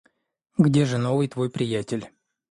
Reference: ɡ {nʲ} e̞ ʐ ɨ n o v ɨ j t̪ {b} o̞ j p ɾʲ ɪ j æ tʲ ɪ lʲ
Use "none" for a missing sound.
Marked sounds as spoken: dʲ, v

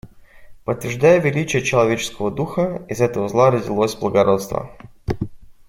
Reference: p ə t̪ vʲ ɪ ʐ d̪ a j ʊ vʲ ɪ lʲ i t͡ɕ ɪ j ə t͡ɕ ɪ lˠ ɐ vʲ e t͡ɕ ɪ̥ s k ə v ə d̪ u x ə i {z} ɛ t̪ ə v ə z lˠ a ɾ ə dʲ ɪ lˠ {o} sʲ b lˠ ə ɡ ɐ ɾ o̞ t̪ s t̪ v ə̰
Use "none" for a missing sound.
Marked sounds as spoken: z, o

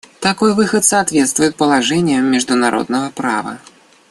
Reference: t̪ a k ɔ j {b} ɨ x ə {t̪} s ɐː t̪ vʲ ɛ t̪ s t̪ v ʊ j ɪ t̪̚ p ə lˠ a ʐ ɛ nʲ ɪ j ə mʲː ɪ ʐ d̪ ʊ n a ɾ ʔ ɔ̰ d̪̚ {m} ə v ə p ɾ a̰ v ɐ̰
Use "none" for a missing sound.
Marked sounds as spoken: v, t̪, n

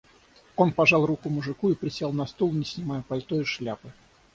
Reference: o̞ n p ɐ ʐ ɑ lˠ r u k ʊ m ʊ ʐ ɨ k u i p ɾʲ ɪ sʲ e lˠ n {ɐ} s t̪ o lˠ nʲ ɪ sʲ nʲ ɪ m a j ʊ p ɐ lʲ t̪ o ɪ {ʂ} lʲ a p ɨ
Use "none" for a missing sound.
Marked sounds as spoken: ɐ, ʂ

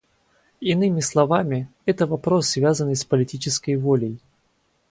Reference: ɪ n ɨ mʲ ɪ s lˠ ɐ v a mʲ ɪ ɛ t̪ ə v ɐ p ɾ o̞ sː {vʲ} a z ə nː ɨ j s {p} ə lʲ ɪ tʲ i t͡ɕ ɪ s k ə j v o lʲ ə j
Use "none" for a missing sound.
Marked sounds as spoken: vʲ, p

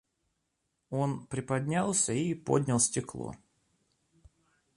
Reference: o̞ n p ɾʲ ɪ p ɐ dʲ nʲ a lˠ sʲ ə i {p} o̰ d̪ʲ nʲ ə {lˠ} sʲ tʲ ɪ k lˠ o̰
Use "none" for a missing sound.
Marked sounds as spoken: p, lˠ

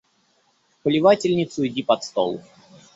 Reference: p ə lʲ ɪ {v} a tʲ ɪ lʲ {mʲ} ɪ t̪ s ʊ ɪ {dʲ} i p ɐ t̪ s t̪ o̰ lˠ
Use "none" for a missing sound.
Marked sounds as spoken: v, nʲ, dʲ

